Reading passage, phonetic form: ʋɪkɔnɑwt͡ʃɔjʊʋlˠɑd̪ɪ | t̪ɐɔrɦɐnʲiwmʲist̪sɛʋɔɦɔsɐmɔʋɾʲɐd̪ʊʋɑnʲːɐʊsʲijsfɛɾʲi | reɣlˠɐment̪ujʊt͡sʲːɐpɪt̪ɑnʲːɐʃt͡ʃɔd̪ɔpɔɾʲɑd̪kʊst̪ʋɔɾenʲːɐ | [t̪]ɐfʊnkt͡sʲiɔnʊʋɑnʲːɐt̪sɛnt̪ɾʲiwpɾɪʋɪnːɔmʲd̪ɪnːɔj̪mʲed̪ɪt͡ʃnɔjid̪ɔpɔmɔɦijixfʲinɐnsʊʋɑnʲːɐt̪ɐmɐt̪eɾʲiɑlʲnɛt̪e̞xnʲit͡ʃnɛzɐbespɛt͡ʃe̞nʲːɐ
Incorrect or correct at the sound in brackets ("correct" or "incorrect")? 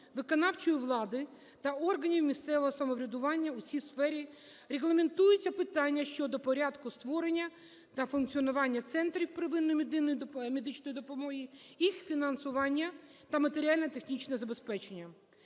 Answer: correct